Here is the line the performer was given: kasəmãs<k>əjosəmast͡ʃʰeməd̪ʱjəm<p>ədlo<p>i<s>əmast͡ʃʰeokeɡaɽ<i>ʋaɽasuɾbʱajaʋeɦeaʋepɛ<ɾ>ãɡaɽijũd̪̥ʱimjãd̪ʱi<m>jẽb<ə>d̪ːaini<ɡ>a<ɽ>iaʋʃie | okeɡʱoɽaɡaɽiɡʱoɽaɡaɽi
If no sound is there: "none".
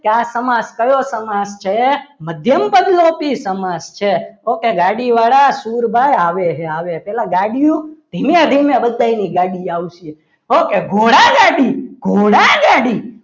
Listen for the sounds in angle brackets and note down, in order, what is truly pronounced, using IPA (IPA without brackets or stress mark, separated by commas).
k, p, p, s, i, l, m, ə, ɡ, ɽ